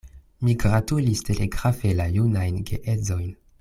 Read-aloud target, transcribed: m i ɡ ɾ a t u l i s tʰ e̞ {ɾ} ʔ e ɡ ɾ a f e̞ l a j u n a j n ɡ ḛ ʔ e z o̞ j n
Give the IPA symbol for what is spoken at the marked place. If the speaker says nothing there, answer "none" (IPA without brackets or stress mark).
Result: l